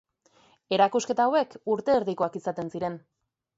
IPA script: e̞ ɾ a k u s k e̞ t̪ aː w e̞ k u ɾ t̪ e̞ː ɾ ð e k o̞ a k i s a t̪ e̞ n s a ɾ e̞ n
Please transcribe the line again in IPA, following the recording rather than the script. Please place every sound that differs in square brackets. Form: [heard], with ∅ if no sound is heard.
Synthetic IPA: e̞ ɾ a k u s k e̞ t̪ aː w e̞ k u ɾ t̪ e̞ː ɾ ð [i] k o̞ a k i s a t̪ e̞ n s [i] ɾ e̞ n